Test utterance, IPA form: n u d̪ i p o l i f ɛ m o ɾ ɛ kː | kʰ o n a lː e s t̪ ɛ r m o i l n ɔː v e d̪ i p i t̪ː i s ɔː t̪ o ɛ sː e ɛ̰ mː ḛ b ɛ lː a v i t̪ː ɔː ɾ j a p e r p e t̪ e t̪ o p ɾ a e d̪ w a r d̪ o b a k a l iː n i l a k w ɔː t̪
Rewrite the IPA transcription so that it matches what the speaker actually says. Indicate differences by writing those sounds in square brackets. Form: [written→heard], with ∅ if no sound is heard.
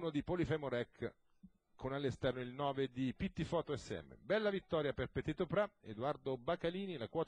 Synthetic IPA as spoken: n [u→o] d̪ i p o l i f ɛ m o ɾ ɛ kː | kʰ o n a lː e s t̪ ɛ r [m→n] o i l n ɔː v e d̪ i p i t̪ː i [s→f] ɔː t̪ o ɛ sː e ɛ̰ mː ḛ b ɛ lː a v i t̪ː ɔː ɾ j a p e r p e t̪ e t̪ o p ɾ a e d̪ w a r d̪ o b a k a l iː n i l a k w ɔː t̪